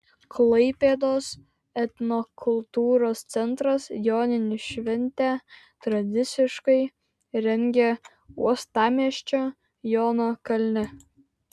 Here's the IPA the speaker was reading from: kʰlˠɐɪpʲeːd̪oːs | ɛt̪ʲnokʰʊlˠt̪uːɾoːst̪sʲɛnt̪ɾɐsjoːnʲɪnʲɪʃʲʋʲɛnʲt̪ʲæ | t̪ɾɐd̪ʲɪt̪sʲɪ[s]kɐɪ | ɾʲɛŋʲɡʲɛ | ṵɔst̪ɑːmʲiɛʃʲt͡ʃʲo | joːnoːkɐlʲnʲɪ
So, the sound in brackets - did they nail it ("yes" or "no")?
no